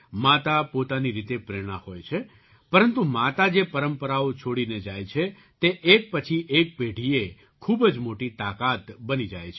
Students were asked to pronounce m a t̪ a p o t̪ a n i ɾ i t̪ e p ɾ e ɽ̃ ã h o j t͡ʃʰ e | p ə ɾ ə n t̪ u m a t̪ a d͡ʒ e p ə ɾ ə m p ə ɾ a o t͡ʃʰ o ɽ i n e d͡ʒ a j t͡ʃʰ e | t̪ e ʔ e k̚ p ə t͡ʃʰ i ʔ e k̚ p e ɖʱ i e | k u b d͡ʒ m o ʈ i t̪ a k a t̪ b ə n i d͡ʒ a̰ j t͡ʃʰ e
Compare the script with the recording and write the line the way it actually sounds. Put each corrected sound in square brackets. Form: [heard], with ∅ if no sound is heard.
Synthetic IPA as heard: m a t̪ a p o t̪ a n i ɾ i t̪ e p ɾ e ɽ̃ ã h o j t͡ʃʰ e | p ə ɾ ə n t̪ u m a t̪ a d͡ʒ e p ə ɾ ə m p ə ɾ a o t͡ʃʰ o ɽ i n e d͡ʒ a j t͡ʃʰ e | t̪ e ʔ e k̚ p ə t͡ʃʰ i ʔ e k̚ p e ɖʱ i e | [kʰ] u b d͡ʒ m o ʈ i t̪ a k a t̪ b ə n i d͡ʒ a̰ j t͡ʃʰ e